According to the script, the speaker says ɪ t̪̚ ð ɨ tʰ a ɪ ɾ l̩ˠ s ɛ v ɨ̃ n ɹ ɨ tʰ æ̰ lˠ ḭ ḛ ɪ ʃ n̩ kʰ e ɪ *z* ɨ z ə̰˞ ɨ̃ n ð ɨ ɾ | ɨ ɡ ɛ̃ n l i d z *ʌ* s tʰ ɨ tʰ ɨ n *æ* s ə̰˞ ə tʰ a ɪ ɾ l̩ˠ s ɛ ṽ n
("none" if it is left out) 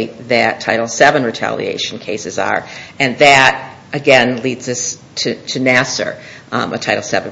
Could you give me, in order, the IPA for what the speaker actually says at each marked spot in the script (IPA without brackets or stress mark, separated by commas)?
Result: s, ʌ, æ